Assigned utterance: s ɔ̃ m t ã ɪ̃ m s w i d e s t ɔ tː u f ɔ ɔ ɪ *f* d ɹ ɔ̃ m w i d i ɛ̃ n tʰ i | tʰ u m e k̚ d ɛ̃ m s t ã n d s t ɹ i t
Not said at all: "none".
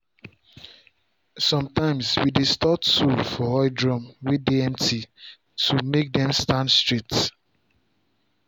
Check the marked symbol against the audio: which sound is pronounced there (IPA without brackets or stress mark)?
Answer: none